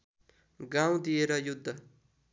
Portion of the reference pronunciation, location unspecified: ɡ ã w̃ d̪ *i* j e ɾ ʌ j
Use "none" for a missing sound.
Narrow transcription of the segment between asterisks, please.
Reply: i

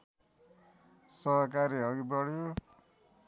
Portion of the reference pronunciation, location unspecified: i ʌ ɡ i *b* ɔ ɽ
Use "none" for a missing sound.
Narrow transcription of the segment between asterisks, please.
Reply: b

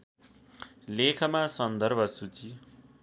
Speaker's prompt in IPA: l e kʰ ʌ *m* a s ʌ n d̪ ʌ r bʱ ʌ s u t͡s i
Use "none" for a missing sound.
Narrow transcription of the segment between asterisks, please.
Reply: m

